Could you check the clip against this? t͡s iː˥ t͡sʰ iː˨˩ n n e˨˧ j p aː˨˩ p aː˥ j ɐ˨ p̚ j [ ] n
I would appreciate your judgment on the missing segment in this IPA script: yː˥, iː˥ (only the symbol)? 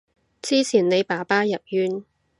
yː˥